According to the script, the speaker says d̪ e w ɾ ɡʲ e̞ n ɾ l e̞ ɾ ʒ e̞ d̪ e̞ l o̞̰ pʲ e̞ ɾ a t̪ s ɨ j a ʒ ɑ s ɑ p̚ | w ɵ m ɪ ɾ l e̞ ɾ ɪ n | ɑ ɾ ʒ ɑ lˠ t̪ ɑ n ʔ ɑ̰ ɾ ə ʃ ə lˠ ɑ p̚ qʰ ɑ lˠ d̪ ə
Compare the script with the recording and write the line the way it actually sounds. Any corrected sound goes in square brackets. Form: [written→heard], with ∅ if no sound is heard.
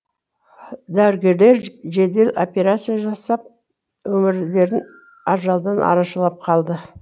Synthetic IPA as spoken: d̪ [e→æ] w ɾ ɡʲ e̞ [n→∅] ɾ l e̞ ɾ ʒ e̞ d̪ e̞ l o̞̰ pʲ e̞ ɾ a t̪ s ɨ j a ʒ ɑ s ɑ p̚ | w ɵ m ɪ ɾ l e̞ ɾ ɪ n | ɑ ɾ ʒ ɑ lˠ [t̪→d̪] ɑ n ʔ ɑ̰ ɾ [ə→ɑ] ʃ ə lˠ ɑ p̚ qʰ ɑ lˠ d̪ ə